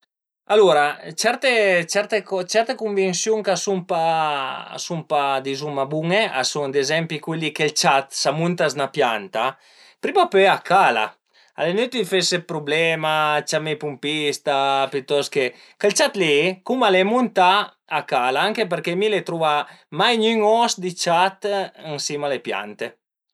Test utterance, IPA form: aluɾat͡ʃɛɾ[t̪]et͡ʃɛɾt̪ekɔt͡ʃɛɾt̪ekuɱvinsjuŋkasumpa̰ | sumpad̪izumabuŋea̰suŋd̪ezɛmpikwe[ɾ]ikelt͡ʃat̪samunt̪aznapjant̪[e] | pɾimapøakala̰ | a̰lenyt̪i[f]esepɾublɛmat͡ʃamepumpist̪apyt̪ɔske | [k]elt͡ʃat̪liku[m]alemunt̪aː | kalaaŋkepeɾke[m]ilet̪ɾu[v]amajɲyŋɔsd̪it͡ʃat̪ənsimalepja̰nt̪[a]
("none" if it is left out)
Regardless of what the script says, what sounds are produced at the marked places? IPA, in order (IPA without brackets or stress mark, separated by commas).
t̪, l, a, f, k, m, m, v, e